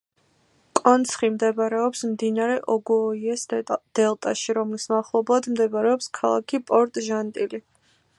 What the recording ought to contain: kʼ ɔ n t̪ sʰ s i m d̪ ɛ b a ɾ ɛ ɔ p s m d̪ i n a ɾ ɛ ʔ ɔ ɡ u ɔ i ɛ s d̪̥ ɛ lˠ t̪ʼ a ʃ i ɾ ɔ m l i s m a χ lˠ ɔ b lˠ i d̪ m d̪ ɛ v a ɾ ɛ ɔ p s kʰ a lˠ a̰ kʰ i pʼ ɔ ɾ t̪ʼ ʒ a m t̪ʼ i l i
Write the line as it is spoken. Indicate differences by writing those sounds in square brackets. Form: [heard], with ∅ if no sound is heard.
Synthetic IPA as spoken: kʼ ɔ n t̪ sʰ [χ] i m d̪ ɛ b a ɾ ɛ ɔ p s m d̪ i n a ɾ ɛ ʔ ɔ ɡ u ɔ i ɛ s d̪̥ ɛ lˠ t̪ʼ a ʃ i ɾ ɔ m l i s m a χ lˠ ɔ b lˠ [a] d̪ m d̪ ɛ [b] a ɾ ɛ ɔ p s kʰ a lˠ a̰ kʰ i pʼ ɔ ɾ t̪ʼ ʒ a [n] t̪ʼ i l i